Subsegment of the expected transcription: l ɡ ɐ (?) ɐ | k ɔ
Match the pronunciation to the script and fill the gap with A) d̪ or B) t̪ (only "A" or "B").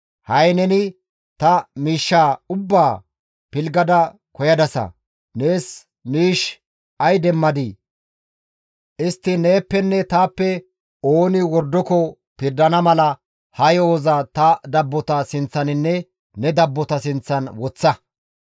A